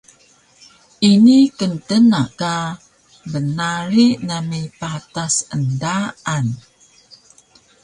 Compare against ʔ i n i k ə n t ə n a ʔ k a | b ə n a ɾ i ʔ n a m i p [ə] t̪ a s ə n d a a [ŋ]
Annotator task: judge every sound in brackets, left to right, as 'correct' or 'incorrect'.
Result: incorrect, incorrect

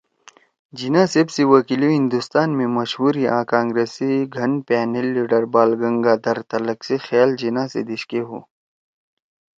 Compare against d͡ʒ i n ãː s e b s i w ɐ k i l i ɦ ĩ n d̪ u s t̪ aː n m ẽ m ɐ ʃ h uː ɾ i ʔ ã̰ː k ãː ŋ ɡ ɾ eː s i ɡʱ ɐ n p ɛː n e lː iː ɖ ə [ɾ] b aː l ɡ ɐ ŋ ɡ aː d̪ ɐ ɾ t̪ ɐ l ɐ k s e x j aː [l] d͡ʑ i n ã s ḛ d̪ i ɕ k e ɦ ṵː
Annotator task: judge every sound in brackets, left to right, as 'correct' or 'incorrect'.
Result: correct, correct

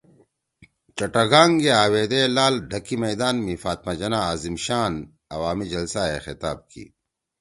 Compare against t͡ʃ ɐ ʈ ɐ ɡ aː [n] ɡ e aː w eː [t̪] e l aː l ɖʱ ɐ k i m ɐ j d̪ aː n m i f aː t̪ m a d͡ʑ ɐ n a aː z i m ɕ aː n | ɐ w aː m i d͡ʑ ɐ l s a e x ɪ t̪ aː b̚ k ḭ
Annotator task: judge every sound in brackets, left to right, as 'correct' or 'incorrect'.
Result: incorrect, incorrect

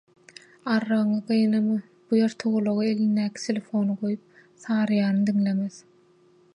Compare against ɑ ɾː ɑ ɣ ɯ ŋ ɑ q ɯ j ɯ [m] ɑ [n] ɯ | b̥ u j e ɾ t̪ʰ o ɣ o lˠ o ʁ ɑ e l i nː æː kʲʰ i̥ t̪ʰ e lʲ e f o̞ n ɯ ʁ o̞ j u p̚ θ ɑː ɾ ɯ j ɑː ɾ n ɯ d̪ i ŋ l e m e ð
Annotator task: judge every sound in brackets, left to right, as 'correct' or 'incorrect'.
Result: incorrect, incorrect

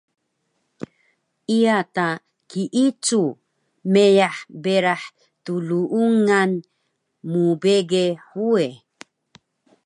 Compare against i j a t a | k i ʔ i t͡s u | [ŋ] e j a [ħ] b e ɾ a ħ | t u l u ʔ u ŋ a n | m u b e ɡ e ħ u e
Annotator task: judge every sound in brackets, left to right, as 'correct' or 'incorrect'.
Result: incorrect, correct

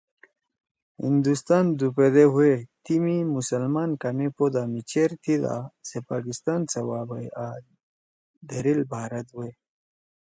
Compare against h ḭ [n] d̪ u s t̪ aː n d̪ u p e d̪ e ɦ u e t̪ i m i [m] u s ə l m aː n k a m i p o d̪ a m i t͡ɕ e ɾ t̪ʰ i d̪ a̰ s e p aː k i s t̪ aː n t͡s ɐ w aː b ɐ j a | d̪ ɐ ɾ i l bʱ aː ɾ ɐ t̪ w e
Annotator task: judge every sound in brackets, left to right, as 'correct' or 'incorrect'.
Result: correct, correct

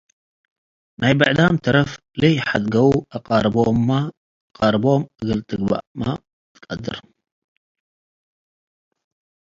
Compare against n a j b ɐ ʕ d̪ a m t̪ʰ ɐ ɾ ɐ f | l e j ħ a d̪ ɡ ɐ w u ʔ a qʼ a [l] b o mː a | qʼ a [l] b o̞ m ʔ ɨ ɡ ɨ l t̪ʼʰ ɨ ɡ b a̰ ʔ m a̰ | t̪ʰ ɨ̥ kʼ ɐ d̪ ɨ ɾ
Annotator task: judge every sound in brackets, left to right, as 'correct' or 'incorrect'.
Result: incorrect, incorrect

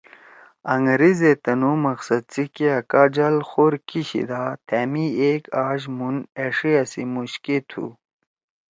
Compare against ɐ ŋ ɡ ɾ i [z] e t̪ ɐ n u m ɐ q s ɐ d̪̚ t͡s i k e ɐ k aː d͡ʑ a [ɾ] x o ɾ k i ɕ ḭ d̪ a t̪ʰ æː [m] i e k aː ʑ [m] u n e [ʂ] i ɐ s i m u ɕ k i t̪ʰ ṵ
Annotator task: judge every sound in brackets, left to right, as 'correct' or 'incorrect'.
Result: correct, incorrect, correct, correct, correct

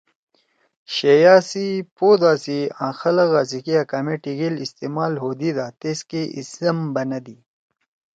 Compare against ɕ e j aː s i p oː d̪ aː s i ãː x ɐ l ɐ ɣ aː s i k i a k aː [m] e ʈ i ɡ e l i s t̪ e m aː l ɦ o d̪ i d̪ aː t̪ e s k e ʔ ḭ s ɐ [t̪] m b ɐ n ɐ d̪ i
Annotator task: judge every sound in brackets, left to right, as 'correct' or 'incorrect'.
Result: correct, incorrect

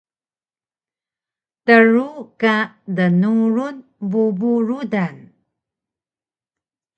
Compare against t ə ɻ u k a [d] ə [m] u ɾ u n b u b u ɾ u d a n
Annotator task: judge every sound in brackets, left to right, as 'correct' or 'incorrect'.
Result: correct, incorrect

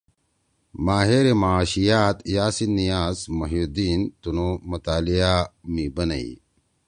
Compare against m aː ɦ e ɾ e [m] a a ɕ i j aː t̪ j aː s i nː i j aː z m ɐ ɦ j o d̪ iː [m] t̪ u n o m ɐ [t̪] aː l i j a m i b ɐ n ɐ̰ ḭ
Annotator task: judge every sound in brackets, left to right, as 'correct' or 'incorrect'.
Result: correct, incorrect, correct

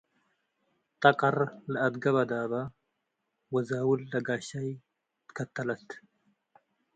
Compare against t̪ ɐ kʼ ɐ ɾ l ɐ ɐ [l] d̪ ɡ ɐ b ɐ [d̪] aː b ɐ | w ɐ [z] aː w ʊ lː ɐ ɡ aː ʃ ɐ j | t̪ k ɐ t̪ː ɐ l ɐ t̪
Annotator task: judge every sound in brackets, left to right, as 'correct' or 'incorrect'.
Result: incorrect, correct, correct

